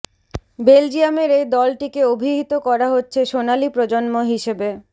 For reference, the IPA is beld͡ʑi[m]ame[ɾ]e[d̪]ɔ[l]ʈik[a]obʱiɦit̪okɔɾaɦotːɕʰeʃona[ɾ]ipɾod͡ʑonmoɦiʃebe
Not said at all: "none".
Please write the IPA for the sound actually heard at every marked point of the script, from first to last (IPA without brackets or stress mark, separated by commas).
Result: none, ɾ, d̪, l, e, l